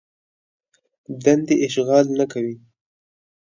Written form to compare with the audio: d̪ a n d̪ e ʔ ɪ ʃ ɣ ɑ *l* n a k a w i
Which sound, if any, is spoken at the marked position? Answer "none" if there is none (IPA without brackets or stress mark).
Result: l